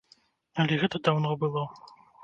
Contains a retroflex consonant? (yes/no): no